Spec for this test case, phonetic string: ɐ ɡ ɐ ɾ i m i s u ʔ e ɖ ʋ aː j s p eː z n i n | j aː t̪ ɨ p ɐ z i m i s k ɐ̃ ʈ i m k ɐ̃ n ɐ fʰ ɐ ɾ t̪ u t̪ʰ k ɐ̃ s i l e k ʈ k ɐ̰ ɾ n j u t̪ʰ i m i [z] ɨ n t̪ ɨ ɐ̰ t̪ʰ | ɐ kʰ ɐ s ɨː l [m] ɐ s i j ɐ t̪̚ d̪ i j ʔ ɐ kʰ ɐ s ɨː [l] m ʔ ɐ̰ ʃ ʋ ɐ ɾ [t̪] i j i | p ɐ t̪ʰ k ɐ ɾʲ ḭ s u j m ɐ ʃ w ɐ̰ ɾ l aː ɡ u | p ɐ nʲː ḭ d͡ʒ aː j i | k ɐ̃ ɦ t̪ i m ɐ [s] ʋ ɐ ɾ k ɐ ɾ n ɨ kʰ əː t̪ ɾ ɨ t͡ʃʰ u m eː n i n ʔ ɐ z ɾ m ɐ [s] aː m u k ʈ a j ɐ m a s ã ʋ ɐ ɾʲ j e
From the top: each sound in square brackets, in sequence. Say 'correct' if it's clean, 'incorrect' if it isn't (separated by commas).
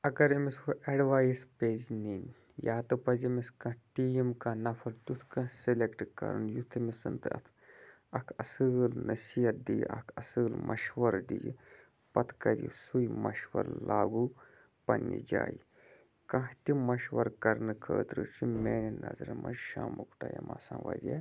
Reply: incorrect, incorrect, correct, incorrect, incorrect, incorrect